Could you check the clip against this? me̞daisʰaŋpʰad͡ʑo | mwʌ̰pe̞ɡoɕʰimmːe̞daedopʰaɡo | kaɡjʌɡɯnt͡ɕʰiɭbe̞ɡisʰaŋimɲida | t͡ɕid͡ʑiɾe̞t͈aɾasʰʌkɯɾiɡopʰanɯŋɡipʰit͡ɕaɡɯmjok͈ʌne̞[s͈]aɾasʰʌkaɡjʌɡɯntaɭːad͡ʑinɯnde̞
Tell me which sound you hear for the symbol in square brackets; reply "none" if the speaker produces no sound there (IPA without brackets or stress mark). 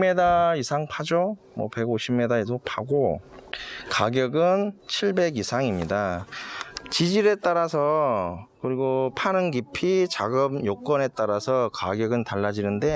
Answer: t͈